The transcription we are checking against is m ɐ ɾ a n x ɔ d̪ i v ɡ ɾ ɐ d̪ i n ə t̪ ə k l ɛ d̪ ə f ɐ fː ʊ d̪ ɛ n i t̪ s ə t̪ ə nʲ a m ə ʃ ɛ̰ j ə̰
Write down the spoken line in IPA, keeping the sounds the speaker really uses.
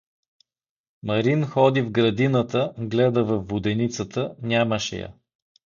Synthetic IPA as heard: m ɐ ɾ i n x ɔ d̪ i v ɡ ɾ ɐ d̪ i n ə t̪ ə ɡ l ɛ d̪ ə v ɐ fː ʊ d̪ ɛ n i t̪ s ə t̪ ə nʲ a m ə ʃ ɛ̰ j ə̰

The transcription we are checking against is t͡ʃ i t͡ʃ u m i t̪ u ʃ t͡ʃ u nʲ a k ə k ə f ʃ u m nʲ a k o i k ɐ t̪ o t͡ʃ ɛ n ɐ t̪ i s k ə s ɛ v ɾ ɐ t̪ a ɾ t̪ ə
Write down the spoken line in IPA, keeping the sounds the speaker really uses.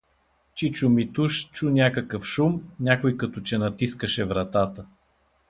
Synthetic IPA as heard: t͡ʃ i t͡ʃ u m i t̪ u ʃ t͡ʃ u nʲ a k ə k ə f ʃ u m nʲ a k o j k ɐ t̪ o t͡ʃ ɛ n ɐ t̪ i s k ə ʃ ɛ v ɾ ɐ t̪ a t̪ ə

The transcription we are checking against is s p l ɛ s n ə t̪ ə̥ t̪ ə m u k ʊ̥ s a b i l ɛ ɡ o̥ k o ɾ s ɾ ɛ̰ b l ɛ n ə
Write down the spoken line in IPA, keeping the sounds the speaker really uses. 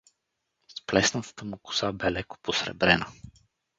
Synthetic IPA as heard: s p l ɛ s n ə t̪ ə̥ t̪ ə m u k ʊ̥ s a b ɛ l ɛ k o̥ p o s ɾ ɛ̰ b ɾ ɛ n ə

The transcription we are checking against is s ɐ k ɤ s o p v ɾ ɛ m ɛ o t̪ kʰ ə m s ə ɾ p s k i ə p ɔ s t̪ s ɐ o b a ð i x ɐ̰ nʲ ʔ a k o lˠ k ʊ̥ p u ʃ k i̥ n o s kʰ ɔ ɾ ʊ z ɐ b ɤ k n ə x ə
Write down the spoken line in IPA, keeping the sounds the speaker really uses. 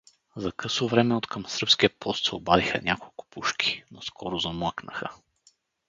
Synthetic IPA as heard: z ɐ k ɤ s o v ɾ ɛ m ɛ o t̪ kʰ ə m s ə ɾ p s k i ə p ɔ s t̪ s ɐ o b a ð i x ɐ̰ nʲ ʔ a k o lˠ k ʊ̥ p u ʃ k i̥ n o s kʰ ɔ ɾ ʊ z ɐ m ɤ k n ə x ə

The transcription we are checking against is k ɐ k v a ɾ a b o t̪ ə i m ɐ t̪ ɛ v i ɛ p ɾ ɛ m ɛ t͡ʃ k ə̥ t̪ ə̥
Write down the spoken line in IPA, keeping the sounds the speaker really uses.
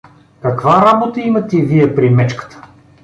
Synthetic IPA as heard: k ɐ k v a ɾ a b o t̪ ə i m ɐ t̪ ɛ v i ɛ p ɾ i m ɛ t͡ʃ k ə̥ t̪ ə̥

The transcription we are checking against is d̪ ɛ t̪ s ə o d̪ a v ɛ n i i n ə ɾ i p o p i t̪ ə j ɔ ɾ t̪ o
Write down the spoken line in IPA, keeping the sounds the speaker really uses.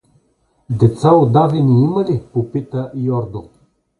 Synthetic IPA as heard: d̪ ɛ t̪ s a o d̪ a v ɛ n i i m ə l i p o p i t̪ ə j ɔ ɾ d̪ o

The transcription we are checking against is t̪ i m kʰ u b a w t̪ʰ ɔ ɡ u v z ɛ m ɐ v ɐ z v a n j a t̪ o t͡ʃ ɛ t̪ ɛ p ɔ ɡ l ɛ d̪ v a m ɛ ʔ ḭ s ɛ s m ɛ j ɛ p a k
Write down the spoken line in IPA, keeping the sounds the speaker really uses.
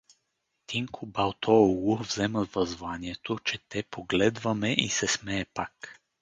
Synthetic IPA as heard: t̪ i ŋ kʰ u b a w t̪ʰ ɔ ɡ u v z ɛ m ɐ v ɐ z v a n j ɛ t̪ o t͡ʃ ɛ t̪ ɛ p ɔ ɡ l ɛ d̪ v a m ɛ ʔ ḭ s ɛ s m ɛ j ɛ p a k

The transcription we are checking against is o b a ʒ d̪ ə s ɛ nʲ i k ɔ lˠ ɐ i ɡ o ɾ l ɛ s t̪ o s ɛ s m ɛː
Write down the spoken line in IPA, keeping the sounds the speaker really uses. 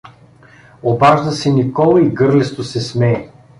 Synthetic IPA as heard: o b a ʒ d̪ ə s ɛ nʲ i k ɔ lˠ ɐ i ɡ ɤ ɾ l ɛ s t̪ o s ɛ s m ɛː

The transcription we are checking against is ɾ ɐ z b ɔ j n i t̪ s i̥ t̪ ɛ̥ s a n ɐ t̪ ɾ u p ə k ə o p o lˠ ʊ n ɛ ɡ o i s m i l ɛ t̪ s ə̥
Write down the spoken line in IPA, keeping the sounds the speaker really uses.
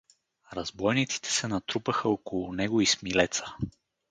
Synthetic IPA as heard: ɾ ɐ z b ɔ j n i t̪ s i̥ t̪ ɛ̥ s ɛ n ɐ t̪ ɾ u p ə x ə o k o lˠ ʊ n ɛ ɡ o i s m i l ɛ t̪ s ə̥

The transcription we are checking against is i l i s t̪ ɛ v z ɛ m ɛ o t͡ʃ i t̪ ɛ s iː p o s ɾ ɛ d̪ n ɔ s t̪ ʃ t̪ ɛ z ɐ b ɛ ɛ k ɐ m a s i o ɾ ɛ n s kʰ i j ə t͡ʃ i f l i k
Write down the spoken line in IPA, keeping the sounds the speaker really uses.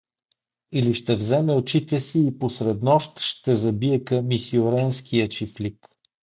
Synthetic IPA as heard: i l i ʃ t̪ ɛ v z ɛ m ɛ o t͡ʃ i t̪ ɛ s iː p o s ɾ ɛ d̪ n ɔ ʃ t̪ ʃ t̪ ɛ z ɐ b i ɛ k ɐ m i s i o ɾ ɛ n s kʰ i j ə t͡ʃ i f l i k

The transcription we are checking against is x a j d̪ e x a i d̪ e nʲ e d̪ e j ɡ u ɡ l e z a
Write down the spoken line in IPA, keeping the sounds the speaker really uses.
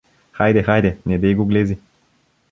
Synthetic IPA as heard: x a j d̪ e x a j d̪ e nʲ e d̪ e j ɡ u ɡ l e z i

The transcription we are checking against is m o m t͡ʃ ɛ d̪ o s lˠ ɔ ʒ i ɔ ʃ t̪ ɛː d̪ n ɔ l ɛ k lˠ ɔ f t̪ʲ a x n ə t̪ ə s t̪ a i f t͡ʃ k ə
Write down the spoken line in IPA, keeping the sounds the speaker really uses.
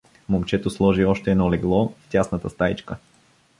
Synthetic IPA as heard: m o m t͡ʃ ɛ t̪ o s lˠ ɔ ʒ i ɔ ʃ t̪ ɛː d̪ n ɔ l ɛ ɡ lˠ ɔ f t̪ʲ a s n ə t̪ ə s t̪ a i t͡ʃ k ə

